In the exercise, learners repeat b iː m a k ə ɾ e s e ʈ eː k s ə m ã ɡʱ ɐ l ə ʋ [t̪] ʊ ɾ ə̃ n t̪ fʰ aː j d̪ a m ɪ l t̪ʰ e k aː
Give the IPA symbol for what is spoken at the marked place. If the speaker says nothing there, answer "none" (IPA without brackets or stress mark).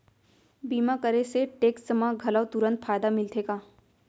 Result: t̪